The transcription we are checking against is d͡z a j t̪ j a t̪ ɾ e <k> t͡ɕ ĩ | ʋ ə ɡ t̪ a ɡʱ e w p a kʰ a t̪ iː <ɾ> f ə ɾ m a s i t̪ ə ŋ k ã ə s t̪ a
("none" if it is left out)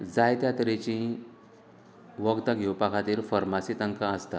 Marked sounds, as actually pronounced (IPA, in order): none, ɾ

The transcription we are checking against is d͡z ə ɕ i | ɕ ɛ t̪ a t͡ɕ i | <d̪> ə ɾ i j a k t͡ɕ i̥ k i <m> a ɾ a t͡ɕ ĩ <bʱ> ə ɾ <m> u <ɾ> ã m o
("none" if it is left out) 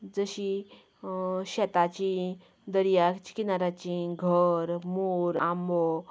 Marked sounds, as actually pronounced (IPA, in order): d̪, n, ɡʱ, m, ɾ

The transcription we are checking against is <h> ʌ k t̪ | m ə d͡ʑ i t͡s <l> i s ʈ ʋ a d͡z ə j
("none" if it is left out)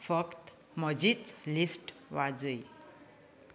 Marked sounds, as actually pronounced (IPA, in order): f, l

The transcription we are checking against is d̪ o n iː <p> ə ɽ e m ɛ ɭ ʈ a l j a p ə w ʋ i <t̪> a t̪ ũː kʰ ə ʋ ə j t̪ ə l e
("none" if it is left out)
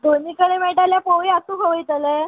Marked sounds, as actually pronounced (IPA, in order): k, none

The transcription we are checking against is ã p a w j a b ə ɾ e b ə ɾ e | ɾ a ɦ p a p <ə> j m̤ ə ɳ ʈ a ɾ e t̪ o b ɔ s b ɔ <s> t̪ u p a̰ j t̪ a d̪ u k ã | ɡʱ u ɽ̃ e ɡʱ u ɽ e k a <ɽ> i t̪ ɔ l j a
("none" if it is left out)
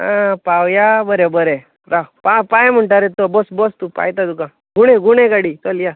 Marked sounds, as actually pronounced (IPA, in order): a, s, ɽ

